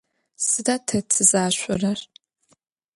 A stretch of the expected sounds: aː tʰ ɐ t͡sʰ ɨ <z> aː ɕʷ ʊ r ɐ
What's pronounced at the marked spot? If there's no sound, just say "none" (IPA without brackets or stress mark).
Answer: z